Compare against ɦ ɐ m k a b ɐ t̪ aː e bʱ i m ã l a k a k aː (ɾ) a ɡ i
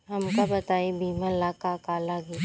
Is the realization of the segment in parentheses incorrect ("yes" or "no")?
yes